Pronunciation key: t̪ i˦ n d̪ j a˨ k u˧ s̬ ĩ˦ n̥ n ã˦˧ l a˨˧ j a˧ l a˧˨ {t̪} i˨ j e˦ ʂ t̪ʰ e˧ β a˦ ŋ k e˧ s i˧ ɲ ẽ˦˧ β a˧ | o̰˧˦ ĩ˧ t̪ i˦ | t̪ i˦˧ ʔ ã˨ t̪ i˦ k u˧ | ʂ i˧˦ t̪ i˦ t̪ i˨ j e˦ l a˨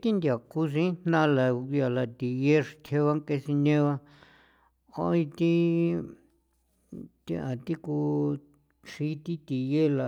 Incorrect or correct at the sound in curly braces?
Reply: correct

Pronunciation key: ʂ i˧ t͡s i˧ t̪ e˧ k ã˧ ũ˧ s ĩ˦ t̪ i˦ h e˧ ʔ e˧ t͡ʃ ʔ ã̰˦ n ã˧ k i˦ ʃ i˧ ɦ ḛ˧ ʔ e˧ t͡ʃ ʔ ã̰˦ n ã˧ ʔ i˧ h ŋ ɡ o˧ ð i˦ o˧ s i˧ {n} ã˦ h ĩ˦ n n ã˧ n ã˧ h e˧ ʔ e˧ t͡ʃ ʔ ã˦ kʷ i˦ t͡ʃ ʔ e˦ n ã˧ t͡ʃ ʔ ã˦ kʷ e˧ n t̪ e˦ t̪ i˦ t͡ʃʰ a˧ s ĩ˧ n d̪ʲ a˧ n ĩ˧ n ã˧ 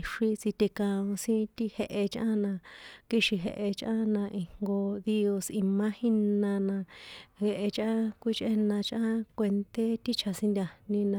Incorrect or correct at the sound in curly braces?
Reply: incorrect: m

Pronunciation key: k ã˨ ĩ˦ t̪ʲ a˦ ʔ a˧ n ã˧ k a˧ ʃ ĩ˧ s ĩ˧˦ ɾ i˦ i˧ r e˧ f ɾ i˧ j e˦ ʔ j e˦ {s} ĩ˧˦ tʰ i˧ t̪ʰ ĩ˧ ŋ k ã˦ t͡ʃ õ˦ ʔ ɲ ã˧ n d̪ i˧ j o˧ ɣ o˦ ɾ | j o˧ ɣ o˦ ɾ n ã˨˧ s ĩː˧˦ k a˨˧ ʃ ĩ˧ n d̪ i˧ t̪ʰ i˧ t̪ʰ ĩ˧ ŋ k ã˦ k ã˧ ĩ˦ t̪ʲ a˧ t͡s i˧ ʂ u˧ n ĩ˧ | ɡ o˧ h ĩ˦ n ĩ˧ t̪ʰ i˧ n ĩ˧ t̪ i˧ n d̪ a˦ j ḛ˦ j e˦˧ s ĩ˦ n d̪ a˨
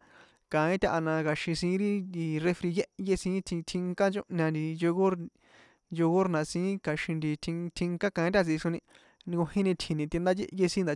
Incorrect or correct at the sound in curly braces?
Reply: correct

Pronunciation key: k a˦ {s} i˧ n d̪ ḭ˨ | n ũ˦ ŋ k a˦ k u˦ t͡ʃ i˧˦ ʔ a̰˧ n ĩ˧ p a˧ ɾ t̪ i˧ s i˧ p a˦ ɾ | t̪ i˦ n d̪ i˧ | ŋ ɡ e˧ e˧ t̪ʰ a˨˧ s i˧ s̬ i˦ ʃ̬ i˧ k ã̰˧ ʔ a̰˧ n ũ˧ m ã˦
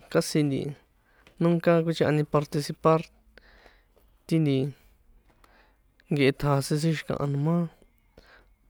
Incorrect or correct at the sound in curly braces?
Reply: correct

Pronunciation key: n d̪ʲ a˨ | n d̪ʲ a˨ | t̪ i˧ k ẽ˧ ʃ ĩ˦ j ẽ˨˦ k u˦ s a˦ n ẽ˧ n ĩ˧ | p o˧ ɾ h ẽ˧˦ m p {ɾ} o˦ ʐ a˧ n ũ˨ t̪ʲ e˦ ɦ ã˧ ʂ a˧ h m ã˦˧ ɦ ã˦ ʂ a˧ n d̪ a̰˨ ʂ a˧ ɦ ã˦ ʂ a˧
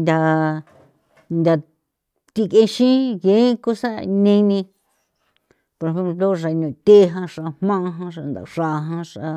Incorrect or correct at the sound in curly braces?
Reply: incorrect: l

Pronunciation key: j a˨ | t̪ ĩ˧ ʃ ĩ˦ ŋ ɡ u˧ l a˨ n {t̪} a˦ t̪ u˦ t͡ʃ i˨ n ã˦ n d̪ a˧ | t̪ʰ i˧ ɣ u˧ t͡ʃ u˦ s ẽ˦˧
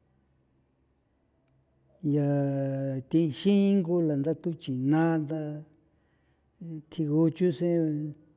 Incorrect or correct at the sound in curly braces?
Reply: incorrect: d̪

